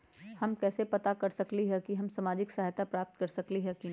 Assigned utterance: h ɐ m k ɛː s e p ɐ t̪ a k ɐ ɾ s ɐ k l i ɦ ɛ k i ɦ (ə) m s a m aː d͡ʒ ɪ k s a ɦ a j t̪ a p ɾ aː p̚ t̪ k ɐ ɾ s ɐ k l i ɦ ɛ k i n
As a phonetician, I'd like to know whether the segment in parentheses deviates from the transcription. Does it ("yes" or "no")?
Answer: yes